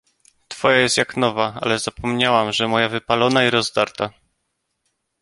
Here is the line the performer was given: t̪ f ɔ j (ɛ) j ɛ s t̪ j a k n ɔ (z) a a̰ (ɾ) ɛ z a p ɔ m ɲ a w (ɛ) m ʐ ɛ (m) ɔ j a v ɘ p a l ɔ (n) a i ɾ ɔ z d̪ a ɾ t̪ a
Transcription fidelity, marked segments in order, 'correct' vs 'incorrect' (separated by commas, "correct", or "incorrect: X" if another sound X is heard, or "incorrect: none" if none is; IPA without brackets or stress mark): incorrect: a, incorrect: v, incorrect: l, incorrect: a, correct, correct